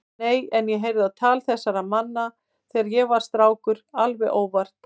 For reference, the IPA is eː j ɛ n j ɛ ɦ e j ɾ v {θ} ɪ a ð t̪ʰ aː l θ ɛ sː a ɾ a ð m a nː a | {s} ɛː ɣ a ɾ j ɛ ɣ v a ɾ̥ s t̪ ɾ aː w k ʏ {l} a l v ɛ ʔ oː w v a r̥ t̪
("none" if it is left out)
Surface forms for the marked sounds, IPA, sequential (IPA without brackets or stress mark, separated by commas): ð, θ, ɾ